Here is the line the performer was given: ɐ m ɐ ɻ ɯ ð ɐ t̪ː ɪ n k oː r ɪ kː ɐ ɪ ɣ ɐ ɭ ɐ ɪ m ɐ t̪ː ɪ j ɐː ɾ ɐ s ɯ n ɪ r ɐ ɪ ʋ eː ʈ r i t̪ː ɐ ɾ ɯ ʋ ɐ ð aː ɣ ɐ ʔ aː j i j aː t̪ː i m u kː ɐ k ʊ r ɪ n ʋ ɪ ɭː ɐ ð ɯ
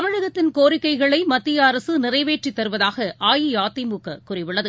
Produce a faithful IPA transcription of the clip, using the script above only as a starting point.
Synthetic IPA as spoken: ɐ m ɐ ɻ ɯ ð ɐ t̪ː ɪ n k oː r ɪ kː ɐ ɪ ɣ ɐ ɭ ɐ ɪ m ɐ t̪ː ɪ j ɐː ɾ ɐ s ɯ n ɪ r ɐ ɪ ʋ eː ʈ r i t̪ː ɐ ɾ ɯ ʋ ɐ ð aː ɣ ɐ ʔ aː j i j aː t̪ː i m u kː ɐ k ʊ r ɪ ʋ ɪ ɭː ɐ ð ɯ